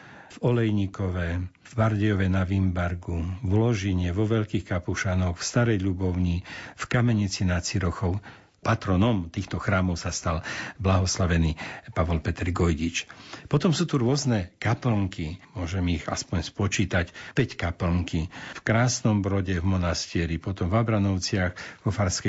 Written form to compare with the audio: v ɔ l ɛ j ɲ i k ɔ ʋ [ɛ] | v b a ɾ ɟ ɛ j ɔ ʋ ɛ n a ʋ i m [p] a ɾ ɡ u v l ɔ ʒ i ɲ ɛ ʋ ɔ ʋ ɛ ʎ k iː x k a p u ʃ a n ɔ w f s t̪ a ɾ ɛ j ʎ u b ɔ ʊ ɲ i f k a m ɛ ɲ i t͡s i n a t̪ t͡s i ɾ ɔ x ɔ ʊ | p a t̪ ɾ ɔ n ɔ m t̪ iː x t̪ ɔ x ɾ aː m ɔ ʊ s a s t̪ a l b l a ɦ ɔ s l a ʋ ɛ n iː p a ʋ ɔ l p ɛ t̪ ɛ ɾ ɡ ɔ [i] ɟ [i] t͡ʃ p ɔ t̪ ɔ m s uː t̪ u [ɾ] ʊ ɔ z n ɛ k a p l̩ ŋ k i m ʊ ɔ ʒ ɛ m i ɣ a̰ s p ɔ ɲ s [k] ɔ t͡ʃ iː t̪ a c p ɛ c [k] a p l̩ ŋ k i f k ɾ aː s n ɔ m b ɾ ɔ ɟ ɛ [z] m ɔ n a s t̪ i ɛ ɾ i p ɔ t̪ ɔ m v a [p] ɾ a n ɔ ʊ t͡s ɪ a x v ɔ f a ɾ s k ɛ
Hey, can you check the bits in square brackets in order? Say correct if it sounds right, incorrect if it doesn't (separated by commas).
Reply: correct, incorrect, incorrect, correct, correct, incorrect, correct, incorrect, incorrect